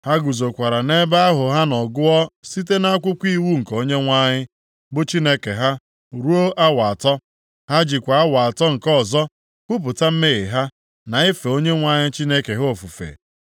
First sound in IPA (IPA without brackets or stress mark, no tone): h